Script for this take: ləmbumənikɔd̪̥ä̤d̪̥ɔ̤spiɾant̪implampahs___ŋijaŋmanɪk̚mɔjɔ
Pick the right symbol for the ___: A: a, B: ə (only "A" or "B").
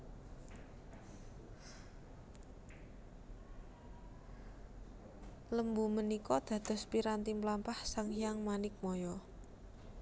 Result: A